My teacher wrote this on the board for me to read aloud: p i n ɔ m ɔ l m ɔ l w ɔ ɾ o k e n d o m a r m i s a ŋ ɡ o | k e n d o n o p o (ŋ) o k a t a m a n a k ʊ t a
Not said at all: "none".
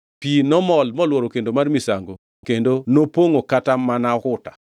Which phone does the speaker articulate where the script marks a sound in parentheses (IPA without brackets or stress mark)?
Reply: ŋ